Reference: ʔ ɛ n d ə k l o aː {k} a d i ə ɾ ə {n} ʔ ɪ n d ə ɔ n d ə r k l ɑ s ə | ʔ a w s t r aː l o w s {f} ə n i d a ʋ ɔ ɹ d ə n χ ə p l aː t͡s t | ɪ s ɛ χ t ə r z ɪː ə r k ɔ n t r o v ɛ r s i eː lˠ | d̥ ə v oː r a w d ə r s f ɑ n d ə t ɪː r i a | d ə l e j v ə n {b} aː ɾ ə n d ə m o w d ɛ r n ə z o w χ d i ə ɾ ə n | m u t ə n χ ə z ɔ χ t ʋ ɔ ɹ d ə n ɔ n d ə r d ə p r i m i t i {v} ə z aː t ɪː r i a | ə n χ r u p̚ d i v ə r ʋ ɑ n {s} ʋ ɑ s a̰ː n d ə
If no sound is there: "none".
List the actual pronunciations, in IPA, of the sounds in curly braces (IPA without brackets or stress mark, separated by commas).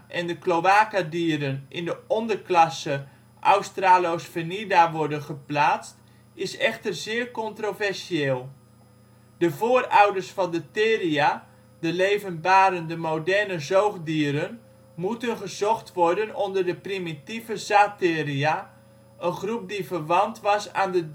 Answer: k, n, f, b, v, t